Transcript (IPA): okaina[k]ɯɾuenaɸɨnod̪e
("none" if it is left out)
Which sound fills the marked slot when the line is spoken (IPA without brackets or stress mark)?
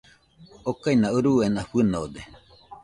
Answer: none